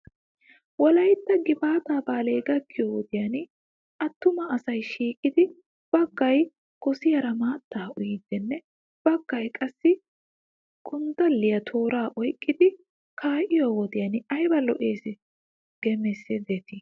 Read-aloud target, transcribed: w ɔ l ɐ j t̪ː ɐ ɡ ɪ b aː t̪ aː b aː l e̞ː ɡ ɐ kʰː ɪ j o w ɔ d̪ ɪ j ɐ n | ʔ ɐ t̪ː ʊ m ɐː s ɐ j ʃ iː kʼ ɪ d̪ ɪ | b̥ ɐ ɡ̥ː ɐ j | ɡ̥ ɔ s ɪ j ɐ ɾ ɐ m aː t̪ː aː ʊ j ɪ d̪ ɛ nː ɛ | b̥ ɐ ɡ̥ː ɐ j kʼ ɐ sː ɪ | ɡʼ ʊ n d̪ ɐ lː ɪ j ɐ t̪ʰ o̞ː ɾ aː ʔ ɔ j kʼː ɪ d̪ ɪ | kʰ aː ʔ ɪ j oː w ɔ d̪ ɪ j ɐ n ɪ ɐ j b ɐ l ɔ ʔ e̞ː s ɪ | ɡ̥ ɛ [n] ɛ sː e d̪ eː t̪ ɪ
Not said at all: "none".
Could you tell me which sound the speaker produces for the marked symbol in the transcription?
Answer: m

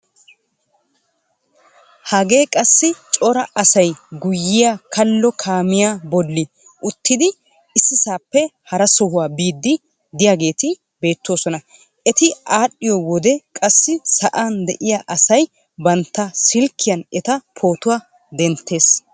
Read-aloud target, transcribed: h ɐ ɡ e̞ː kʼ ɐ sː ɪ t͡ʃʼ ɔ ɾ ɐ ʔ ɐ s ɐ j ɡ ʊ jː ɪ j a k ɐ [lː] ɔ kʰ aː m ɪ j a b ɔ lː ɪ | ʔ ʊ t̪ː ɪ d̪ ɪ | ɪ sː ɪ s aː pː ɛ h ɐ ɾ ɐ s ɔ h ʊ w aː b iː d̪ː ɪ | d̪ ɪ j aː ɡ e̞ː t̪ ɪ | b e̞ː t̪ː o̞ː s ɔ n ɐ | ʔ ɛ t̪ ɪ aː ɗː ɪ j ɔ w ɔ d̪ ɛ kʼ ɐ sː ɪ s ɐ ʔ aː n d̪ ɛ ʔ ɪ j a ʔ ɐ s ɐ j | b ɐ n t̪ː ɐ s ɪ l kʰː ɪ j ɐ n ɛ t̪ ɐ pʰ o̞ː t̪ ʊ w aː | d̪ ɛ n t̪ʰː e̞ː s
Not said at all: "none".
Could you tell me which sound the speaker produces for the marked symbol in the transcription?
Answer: lː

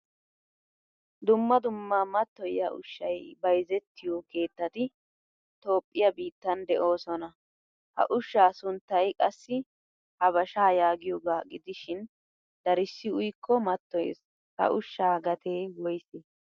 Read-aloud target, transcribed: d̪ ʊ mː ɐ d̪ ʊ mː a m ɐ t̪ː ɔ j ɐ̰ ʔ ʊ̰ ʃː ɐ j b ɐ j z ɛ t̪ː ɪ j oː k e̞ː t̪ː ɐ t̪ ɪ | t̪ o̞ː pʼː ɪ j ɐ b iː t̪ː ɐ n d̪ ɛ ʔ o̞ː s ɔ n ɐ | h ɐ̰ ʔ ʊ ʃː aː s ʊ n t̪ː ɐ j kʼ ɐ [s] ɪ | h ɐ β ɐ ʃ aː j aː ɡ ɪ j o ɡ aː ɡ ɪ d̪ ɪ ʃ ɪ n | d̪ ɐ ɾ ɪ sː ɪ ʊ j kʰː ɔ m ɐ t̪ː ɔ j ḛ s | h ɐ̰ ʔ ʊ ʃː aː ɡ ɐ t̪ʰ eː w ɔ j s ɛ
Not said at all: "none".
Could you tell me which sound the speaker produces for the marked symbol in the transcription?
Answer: sː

